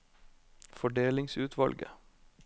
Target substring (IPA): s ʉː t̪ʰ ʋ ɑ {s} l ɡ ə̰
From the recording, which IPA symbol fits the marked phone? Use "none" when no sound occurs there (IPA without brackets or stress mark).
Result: none